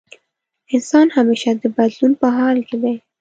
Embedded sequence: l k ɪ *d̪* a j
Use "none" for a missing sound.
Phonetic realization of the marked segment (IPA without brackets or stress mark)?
d̪